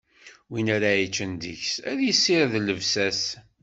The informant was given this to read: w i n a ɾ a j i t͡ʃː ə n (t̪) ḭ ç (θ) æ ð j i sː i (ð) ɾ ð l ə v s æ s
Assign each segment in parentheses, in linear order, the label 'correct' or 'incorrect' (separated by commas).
incorrect, incorrect, incorrect